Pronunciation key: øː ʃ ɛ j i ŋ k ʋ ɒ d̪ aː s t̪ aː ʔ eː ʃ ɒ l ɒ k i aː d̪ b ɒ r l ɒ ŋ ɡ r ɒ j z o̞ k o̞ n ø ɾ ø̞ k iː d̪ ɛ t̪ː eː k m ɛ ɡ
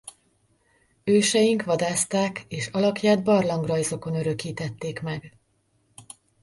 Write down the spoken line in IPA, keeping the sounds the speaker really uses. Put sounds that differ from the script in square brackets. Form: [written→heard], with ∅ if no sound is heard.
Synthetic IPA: øː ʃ ɛ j i ŋ k ʋ ɒ d̪ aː s t̪ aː [ʔ→k] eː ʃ ɒ l ɒ k [i→j] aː d̪ b ɒ r l ɒ ŋ ɡ r ɒ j z o̞ k o̞ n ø ɾ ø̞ k iː [d̪→t̪] ɛ t̪ː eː k m ɛ ɡ